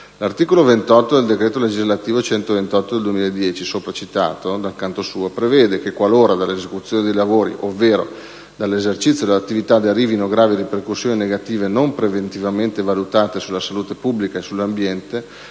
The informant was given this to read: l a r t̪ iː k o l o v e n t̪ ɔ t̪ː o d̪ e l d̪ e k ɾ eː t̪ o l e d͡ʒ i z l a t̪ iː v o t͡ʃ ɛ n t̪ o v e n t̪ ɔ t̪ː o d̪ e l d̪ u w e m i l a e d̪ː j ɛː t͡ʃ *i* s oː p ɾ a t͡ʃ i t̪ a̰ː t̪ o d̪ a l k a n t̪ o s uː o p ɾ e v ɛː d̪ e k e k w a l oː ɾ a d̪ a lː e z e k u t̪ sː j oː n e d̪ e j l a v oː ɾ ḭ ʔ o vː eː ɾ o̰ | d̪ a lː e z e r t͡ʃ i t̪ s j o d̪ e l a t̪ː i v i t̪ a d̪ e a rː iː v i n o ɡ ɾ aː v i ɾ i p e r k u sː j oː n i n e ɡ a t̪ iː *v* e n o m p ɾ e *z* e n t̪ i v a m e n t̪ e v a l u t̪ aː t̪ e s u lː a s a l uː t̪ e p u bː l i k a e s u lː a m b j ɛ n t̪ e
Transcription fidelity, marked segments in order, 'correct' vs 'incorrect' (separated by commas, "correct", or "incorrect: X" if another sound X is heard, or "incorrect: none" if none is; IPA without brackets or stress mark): correct, correct, incorrect: v